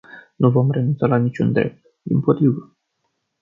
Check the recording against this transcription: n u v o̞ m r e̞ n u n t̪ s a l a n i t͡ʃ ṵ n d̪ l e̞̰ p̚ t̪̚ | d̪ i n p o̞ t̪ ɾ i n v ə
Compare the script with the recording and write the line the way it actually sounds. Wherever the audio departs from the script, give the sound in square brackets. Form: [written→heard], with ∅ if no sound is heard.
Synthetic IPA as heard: n u v o̞ m r e̞ n u n t̪ s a l a n i t͡ʃ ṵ n d̪ [l→ɾ] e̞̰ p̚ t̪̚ | d̪ i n p o̞ t̪ ɾ i [n→∅] v ə